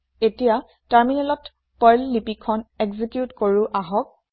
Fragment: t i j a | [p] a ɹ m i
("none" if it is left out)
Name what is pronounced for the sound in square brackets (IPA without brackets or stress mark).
t